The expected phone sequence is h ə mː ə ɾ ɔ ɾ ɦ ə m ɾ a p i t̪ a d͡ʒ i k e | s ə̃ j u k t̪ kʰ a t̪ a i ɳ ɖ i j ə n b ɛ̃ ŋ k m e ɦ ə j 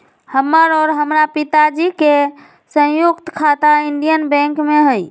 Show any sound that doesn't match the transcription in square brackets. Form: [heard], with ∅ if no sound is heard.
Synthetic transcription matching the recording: h ə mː ə ɾ ɔ ɾ ɦ ə m ɾ a p i t̪ a d͡ʒ i k e | s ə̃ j u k t̪ kʰ a t̪ a i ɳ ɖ i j ə n b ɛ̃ ŋ k m e ɦ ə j